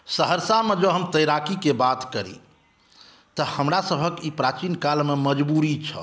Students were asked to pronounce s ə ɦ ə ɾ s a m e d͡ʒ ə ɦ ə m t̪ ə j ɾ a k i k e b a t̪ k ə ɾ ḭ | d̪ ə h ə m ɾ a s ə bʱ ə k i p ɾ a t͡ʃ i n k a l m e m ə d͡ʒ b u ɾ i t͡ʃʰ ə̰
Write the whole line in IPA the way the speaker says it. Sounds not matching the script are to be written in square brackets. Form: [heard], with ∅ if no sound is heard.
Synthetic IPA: s ə ɦ ə ɾ s a m e d͡ʒ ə ɦ ə m t̪ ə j ɾ a k i k e b a t̪ k ə ɾ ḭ | [t̪] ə h ə m ɾ a s ə bʱ ə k i p ɾ a t͡ʃ i n k a l m e m ə d͡ʒ b u ɾ i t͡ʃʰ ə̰